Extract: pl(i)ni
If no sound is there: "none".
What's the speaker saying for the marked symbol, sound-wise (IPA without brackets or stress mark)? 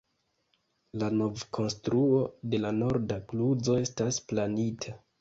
a